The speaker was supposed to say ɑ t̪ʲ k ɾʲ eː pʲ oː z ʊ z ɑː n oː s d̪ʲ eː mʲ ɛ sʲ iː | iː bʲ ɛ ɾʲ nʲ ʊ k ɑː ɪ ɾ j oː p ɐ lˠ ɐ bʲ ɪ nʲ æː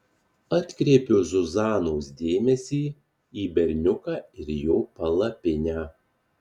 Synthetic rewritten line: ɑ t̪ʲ k ɾʲ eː pʲ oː z ʊ z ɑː n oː s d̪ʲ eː mʲ ɛ sʲ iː | iː bʲ ɛ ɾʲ nʲ ʊ k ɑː ɪ ɾ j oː p ɐ lˠ ɐ pʲ ɪ nʲ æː